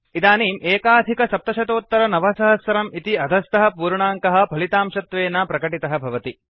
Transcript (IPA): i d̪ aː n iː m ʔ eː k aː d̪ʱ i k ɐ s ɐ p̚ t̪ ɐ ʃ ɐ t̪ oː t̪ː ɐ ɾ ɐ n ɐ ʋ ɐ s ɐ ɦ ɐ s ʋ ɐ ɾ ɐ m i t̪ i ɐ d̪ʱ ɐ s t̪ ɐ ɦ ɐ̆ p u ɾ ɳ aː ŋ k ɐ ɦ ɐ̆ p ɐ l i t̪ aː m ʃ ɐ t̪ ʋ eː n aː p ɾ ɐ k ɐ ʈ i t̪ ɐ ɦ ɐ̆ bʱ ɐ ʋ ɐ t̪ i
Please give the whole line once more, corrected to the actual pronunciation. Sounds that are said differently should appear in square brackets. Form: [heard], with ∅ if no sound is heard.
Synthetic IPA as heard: i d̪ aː n iː m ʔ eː k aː d̪ʱ i k ɐ s ɐ p̚ t̪ ɐ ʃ ɐ t̪ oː t̪ː ɐ ɾ ɐ n ɐ ʋ ɐ s ɐ ɦ ɐ s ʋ ɐ ɾ ɐ m i t̪ i ɐ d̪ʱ ɐ s t̪ ɐ ɦ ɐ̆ p [uː] ɾ ɳ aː ŋ k ɐ ɦ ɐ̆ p ɐ l i t̪ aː m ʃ ɐ t̪ ʋ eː n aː p ɾ ɐ k ɐ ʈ i t̪ ɐ ɦ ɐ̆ bʱ ɐ ʋ ɐ t̪ i